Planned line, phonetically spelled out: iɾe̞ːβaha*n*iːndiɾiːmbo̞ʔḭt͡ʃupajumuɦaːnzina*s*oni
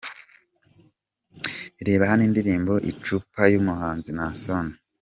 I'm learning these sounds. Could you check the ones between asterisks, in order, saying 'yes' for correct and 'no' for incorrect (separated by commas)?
yes, yes